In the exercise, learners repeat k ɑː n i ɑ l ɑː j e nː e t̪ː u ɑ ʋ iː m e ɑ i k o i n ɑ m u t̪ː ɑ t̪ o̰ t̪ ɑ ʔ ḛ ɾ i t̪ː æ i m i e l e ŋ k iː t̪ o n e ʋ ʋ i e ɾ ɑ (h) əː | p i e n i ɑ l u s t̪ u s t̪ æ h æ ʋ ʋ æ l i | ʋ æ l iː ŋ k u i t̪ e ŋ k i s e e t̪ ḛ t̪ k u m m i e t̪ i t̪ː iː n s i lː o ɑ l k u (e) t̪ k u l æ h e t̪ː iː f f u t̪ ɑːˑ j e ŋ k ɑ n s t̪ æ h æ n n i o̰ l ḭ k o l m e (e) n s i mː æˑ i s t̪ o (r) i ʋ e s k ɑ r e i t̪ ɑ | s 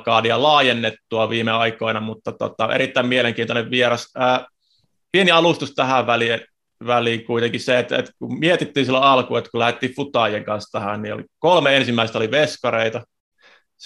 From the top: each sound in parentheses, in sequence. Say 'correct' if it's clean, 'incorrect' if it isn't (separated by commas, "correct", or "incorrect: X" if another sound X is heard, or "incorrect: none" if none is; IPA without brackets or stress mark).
incorrect: s, correct, correct, incorrect: l